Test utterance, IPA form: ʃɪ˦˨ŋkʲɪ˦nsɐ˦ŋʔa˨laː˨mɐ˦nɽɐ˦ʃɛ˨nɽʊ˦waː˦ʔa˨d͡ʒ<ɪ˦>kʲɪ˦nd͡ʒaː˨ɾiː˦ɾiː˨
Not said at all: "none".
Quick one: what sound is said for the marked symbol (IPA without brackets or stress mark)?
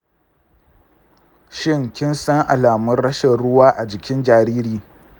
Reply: ɪ˨